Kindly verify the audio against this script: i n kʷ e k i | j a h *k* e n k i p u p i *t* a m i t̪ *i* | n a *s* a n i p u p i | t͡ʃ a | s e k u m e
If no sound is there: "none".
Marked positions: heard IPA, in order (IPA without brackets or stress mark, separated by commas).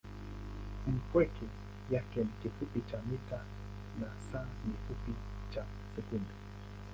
k, t͡ʃ, a, s